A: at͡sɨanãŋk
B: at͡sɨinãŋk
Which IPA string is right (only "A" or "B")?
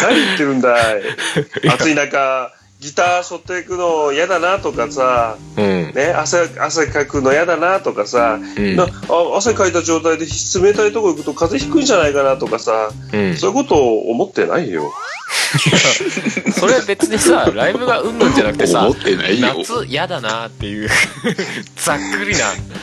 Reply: B